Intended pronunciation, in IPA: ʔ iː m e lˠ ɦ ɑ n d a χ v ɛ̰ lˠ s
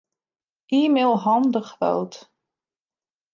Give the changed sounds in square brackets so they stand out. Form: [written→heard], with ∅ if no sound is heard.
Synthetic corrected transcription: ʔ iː m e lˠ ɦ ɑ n d [a→ə] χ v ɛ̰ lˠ [s→t]